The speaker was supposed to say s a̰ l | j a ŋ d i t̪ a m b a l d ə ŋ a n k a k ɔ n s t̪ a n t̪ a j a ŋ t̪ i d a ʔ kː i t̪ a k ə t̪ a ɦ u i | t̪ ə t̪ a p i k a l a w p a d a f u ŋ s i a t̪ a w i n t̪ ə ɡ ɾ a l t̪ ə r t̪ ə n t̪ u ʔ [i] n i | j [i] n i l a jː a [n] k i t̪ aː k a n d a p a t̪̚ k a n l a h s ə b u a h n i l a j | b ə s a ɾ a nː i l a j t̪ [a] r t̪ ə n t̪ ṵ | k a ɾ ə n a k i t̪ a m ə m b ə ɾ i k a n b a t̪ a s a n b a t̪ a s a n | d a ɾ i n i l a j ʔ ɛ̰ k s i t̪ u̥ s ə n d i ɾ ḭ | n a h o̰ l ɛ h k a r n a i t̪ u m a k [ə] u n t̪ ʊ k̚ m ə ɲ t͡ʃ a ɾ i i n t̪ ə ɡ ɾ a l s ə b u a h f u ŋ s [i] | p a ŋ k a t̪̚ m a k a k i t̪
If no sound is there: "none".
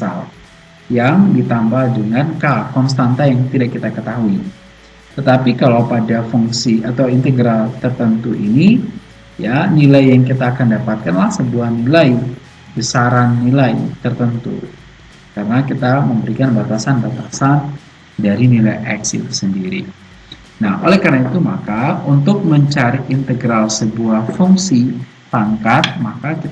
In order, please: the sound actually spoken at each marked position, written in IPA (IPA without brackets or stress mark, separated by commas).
i, a, ŋ, ə, a, i